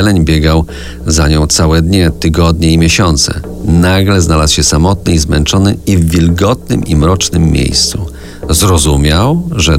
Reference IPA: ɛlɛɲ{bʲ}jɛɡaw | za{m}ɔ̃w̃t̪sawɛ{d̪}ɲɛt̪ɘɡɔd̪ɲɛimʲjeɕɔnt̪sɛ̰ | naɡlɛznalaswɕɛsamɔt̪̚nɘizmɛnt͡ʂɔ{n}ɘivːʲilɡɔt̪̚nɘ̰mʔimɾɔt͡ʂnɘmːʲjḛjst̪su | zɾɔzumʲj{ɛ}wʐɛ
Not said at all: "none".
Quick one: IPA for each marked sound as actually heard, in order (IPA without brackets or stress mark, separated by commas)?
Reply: bʲ, ɲ, d̪, n, a